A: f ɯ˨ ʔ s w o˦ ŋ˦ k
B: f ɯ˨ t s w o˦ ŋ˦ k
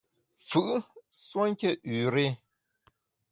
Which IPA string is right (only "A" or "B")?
A